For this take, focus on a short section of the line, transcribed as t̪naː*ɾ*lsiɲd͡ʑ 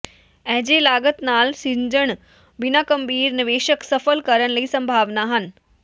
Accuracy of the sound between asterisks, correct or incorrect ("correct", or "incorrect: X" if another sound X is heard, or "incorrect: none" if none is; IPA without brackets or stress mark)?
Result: incorrect: none